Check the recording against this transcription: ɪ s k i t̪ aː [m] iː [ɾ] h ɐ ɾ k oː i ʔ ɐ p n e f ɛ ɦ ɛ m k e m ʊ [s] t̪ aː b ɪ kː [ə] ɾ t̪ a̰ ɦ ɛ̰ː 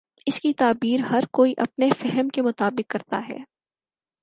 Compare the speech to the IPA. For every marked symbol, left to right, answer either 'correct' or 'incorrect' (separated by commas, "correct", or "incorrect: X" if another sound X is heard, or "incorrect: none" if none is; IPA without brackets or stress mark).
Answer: incorrect: b, correct, incorrect: none, incorrect: ɐ